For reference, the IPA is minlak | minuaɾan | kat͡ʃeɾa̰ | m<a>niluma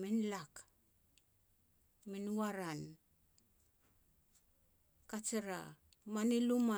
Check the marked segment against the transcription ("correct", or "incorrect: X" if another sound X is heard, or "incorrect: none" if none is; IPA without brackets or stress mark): correct